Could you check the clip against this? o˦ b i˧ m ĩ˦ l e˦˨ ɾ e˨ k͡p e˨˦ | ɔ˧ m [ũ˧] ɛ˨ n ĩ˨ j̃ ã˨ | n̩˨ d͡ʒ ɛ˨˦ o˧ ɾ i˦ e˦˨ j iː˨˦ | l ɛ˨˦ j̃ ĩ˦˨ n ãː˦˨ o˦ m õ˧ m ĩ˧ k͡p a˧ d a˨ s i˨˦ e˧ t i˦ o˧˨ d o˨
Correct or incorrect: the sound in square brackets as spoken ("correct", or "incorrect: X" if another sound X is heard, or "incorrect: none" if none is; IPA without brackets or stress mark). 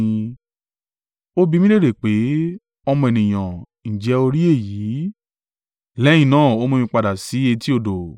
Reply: incorrect: ɔ̃˧